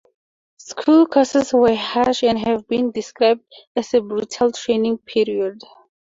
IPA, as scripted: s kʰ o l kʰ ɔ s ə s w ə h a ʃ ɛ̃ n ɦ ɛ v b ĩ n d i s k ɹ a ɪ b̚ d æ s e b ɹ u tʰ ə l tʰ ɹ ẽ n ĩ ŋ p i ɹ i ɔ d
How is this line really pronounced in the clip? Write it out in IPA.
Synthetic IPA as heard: s kʰ u l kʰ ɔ s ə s w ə h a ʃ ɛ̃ n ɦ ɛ v b ĩ n d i s k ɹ a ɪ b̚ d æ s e b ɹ u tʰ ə l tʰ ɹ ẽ n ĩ ŋ pʰ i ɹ i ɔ d